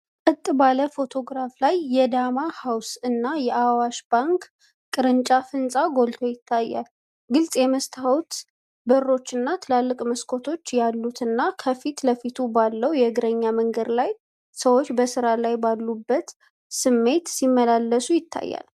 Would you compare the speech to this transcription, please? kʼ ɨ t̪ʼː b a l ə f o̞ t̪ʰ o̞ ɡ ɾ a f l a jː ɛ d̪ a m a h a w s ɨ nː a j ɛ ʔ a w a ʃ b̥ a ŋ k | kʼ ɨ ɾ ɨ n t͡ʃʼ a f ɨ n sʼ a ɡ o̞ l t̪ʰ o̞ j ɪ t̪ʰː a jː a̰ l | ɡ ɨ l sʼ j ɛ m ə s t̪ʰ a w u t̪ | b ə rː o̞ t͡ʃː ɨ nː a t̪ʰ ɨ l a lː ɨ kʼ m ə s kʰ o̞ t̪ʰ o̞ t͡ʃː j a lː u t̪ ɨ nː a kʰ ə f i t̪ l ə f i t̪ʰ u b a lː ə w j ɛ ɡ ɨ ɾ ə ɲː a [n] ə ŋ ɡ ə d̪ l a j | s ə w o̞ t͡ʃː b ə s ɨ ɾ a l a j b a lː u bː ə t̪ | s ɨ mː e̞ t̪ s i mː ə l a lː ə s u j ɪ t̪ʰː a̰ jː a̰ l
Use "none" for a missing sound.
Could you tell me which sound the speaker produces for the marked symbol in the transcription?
m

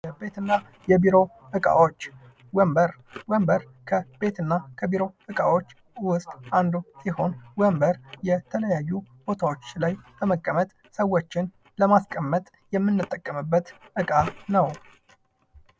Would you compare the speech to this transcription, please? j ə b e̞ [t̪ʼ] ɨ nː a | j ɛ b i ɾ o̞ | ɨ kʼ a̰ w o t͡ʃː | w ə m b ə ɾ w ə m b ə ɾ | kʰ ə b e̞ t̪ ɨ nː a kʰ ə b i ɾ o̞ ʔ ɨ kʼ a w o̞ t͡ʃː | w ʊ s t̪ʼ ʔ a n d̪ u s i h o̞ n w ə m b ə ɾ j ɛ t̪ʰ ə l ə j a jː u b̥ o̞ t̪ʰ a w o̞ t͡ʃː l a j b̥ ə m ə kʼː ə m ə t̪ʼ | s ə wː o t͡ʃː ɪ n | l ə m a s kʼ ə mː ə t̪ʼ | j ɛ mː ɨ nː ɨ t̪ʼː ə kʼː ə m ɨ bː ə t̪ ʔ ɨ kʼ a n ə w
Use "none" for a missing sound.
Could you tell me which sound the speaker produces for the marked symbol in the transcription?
t̪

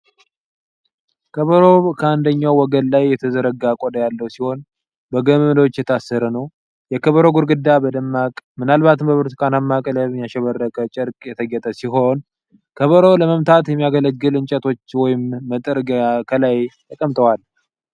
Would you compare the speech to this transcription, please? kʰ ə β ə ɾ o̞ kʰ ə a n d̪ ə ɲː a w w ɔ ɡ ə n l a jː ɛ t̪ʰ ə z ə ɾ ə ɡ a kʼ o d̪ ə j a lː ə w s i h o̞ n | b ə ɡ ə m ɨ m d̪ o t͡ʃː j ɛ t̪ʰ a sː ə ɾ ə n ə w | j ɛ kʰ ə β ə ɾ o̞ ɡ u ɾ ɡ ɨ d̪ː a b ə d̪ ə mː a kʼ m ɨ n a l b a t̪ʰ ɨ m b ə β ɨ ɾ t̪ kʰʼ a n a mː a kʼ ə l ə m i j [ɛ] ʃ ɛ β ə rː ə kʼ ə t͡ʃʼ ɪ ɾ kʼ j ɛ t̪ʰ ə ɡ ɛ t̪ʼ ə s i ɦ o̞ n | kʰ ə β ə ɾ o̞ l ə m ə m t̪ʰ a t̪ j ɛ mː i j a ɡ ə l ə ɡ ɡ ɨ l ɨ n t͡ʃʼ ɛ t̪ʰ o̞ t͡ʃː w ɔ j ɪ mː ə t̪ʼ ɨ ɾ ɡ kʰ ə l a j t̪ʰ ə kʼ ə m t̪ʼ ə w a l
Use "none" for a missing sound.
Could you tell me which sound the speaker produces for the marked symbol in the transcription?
a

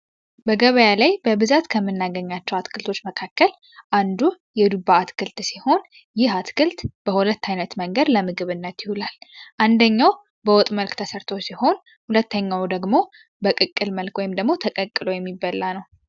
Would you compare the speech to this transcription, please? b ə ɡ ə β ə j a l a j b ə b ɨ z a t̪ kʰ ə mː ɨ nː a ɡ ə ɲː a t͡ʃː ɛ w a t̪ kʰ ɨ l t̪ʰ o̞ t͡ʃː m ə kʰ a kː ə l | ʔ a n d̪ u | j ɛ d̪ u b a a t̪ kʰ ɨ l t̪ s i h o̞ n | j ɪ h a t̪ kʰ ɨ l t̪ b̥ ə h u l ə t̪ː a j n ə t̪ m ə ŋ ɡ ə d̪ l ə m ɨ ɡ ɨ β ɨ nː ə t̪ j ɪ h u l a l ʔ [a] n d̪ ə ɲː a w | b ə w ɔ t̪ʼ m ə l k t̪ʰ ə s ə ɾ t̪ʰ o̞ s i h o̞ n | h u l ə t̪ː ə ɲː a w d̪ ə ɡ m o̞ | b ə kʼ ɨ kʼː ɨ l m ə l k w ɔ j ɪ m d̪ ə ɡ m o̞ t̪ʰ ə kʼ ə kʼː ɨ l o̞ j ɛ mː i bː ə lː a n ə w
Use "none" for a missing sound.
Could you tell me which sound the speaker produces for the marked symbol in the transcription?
a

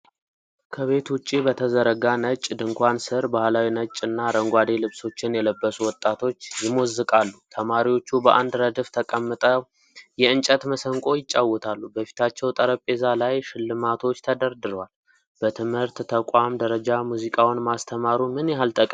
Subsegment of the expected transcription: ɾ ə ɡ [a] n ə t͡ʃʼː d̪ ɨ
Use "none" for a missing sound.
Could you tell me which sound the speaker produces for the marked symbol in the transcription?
a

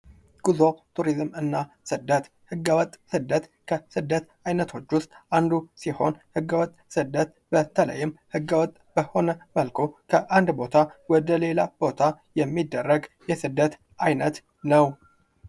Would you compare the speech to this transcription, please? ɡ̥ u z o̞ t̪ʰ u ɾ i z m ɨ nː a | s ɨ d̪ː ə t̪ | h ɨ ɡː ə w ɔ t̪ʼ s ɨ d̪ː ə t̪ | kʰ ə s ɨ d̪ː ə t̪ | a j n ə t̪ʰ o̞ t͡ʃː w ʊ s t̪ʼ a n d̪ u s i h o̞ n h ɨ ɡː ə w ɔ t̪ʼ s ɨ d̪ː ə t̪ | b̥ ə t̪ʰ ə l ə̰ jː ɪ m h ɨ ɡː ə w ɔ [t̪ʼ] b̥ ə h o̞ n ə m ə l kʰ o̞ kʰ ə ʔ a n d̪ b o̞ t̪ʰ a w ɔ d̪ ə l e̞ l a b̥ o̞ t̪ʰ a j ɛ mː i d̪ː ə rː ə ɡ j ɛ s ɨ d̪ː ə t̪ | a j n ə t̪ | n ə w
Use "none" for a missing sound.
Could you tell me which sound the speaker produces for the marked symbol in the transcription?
t̪ʼ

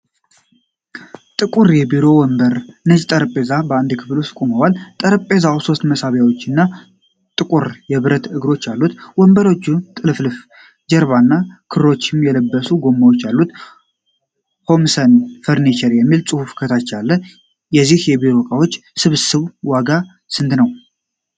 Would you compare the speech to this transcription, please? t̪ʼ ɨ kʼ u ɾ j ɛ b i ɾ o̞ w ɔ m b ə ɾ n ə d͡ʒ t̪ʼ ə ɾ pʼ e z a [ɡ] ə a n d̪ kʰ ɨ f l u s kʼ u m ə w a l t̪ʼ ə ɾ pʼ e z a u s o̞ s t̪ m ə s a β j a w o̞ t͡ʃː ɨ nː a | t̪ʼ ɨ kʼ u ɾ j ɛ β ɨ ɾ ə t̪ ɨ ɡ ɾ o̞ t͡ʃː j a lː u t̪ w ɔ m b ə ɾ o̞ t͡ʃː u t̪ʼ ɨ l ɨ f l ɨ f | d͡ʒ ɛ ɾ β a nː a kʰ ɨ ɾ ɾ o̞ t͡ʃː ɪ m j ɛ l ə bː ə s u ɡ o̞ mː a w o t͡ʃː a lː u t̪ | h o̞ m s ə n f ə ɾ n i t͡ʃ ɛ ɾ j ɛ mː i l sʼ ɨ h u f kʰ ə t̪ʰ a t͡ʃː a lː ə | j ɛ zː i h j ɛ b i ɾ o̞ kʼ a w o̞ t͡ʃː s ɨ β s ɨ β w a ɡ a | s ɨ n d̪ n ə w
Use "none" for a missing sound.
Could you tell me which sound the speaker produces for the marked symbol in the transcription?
b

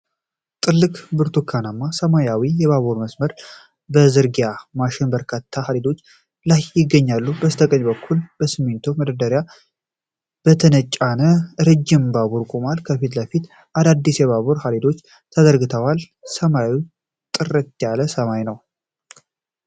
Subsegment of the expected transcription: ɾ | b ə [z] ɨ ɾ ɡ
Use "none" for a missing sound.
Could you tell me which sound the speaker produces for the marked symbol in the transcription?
z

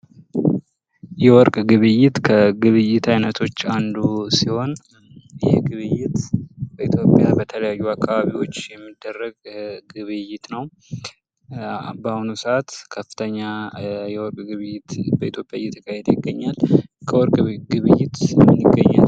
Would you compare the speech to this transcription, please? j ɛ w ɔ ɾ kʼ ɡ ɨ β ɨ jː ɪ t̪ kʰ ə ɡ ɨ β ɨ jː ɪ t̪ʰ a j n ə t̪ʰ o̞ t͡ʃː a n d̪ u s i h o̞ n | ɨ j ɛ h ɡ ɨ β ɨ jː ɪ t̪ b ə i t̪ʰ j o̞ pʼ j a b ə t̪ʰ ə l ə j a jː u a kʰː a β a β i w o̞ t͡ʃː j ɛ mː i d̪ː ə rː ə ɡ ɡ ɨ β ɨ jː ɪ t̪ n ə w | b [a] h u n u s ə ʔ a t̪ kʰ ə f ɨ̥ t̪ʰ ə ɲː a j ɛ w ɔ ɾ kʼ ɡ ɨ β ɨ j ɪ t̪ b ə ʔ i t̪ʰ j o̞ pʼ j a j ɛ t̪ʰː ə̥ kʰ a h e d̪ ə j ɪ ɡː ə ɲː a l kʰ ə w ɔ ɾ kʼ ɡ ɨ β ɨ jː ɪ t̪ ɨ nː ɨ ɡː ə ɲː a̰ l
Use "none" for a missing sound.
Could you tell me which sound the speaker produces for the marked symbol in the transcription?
a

